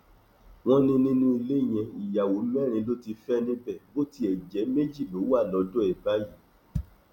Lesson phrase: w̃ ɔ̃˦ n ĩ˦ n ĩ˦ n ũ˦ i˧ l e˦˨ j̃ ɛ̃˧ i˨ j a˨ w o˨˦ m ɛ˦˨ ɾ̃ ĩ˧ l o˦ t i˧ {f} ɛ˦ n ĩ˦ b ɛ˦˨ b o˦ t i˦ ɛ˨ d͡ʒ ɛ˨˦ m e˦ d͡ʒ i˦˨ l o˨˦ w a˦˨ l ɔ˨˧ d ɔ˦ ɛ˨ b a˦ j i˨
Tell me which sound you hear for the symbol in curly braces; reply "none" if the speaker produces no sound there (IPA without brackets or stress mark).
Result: f